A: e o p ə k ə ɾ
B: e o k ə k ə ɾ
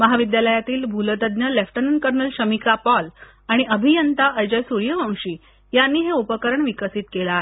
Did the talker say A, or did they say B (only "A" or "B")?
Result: A